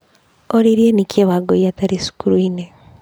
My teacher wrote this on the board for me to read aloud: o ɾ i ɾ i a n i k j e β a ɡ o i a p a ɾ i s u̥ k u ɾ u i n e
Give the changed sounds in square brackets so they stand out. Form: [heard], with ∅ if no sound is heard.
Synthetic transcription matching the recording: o ɾ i ɾ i [e] n i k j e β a ɡ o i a [t] a ɾ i s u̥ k u ɾ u i n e